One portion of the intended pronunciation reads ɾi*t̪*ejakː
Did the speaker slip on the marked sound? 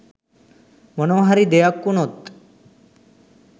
yes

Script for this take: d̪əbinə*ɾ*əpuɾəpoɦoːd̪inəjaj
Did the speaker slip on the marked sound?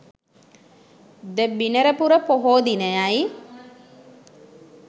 no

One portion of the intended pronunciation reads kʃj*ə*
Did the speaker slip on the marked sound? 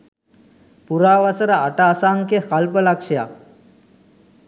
yes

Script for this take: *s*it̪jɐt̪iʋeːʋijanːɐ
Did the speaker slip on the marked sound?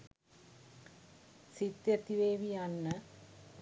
no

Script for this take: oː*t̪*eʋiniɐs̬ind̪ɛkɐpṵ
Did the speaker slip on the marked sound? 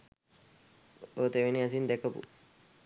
no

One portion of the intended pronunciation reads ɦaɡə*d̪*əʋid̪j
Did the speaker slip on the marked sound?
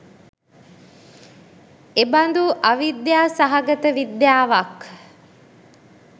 yes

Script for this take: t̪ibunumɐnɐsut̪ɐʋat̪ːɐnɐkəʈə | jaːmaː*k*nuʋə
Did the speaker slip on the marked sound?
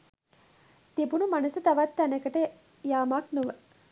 no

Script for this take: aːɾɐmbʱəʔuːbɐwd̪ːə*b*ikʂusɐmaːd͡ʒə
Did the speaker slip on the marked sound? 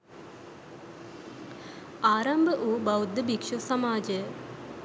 no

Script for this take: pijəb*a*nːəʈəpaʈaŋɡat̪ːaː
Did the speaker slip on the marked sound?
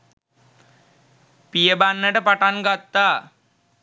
no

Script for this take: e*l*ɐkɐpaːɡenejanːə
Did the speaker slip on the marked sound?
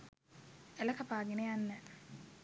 no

